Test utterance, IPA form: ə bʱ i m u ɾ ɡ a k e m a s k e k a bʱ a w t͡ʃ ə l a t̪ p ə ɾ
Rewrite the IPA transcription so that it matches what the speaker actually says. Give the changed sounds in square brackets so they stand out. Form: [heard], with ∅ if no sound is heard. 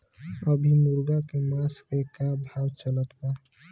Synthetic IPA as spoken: ə bʱ i m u ɾ ɡ a k e m a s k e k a bʱ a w t͡ʃ ə l [ə] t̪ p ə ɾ